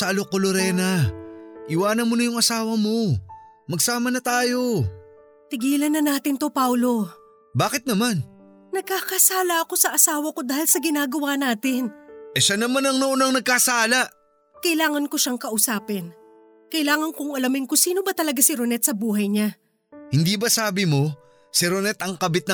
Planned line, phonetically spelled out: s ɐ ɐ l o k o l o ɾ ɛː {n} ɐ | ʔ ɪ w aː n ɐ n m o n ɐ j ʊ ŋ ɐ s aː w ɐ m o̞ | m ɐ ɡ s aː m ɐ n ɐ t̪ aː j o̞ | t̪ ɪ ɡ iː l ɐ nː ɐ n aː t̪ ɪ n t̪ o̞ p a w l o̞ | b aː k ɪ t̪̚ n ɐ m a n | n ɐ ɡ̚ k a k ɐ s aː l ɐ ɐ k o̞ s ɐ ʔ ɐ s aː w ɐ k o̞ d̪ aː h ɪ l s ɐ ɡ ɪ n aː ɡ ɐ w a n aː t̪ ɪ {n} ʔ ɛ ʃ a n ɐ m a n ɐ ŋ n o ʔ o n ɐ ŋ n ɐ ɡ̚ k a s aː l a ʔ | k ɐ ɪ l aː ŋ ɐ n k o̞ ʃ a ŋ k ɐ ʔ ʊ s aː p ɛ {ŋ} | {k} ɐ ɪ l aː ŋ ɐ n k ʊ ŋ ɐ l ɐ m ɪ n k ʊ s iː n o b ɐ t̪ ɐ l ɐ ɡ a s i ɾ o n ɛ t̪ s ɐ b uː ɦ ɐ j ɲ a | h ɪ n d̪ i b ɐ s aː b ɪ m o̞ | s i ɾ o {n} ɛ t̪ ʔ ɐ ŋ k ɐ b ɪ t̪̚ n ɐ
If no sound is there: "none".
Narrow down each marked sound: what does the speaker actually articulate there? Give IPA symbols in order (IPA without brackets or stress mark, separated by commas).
n, n, n, k, n